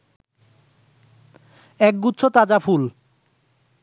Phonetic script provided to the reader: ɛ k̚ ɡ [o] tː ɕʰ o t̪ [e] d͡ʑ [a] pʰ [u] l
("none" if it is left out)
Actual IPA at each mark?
u, a, a, u

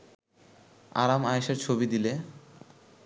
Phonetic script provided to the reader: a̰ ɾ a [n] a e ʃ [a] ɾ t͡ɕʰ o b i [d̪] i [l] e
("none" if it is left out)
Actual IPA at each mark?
m, e, d̪, l

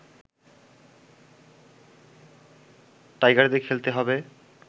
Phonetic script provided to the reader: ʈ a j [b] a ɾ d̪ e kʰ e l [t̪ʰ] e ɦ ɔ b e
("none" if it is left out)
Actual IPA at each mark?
ɡ, t̪

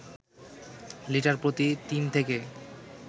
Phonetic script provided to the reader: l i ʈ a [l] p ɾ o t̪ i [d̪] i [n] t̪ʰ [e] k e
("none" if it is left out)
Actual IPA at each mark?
ɾ, t̪, n, e

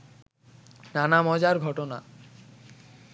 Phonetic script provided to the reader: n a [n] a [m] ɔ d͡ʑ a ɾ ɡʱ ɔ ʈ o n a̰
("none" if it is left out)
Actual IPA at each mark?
n, m

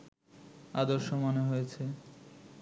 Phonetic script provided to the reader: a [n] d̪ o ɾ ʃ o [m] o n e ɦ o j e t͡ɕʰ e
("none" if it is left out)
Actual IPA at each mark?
none, m

